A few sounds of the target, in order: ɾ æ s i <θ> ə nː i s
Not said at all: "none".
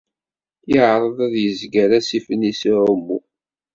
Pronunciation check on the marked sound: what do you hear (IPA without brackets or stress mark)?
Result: f